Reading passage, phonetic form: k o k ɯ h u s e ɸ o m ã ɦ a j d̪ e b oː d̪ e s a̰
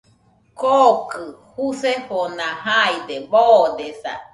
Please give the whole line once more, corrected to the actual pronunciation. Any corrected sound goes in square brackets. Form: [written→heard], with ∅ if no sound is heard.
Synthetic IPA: k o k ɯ h u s e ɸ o [m→n] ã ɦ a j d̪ e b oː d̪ e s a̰

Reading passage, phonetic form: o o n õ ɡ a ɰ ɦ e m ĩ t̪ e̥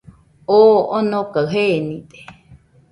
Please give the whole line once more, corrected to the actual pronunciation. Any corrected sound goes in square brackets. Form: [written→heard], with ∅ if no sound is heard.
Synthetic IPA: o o n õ [ɡ→k] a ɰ ɦ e [m→n] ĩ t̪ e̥

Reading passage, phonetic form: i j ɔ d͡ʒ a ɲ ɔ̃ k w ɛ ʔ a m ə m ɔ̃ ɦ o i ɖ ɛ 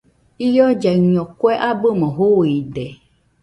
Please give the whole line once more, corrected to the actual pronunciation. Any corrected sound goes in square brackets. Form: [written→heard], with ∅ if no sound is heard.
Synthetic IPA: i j ɔ d͡ʒ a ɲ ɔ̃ k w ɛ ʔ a [m→b] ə m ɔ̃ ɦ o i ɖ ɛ

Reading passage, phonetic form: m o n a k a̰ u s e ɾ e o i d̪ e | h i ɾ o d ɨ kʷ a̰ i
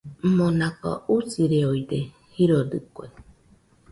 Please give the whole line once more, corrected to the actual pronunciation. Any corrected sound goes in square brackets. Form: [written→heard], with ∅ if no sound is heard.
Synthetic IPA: m o n a k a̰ u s [e→i] ɾ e o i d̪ e | h i ɾ o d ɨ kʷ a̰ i

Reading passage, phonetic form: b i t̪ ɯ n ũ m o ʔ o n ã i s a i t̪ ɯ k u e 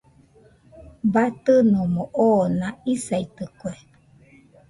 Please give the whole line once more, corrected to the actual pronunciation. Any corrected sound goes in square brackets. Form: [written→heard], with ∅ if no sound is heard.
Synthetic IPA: b [i→a] t̪ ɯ n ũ m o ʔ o n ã i s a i t̪ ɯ k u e

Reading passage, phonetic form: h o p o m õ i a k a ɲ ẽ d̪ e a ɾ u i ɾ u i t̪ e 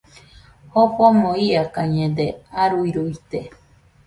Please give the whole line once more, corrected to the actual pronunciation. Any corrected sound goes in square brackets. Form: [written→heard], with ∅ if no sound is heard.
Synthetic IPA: h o p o m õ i a k a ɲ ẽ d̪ e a ɾ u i ɾ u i t̪ e

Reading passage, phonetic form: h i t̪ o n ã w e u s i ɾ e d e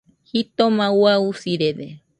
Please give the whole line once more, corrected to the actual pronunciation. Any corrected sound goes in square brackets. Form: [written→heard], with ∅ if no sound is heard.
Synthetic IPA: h i t̪ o [n→m] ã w [e→a] u s i ɾ e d e

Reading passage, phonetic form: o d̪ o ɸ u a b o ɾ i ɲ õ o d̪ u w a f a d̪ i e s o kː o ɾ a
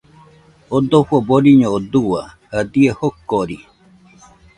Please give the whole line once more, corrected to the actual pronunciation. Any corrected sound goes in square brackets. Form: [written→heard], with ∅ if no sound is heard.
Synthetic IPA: o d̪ o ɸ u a b o ɾ i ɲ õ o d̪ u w a [f→h] a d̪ i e [s→h] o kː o ɾ [a→i]

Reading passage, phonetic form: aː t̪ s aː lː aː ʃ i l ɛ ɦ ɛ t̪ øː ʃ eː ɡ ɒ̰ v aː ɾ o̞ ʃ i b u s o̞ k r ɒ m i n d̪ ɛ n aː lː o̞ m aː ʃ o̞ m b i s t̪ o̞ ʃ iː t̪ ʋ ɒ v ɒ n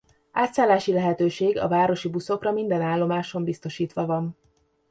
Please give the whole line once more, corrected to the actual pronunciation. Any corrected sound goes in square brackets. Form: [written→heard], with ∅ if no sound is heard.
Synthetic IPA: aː t̪ s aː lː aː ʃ i l ɛ ɦ ɛ t̪ øː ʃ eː ɡ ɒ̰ v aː ɾ o̞ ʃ i b u s o̞ k r ɒ m i n d̪ ɛ n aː lː o̞ m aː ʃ o̞ m b i s t̪ o̞ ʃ iː t̪ ʋ ɒ v ɒ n

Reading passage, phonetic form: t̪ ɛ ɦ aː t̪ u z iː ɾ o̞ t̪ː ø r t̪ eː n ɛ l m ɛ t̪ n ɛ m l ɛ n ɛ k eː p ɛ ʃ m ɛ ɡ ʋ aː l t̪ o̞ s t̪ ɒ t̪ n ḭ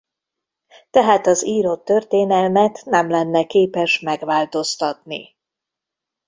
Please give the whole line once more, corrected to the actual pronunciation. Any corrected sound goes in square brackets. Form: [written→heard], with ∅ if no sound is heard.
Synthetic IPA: t̪ ɛ ɦ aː t̪ [u→ɒ] z iː ɾ o̞ t̪ː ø r t̪ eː n ɛ l m ɛ t̪ n ɛ m l ɛ [n→nː] ɛ k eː p ɛ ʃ m ɛ ɡ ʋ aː l t̪ o̞ s t̪ ɒ t̪ n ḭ

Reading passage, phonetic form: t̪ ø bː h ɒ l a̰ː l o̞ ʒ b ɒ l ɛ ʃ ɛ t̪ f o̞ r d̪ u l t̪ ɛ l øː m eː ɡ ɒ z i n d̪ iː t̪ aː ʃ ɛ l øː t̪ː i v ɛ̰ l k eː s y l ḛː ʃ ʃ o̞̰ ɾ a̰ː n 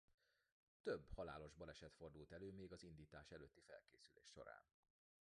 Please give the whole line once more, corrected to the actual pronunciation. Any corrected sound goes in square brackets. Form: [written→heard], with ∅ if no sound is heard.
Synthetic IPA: t̪ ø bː h ɒ l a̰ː l o̞ ʒ b ɒ l ɛ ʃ ɛ t̪ f o̞ r d̪ u l t̪ ɛ l øː m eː ɡ ɒ z i n d̪ iː t̪ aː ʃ ɛ l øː t̪ː i [v→f] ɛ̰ l k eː s y l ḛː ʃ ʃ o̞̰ ɾ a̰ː n

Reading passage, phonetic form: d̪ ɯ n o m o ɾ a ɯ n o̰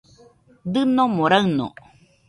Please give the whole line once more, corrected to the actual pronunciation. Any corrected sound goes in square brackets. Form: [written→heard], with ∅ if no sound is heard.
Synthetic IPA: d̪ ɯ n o m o ɾ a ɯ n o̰

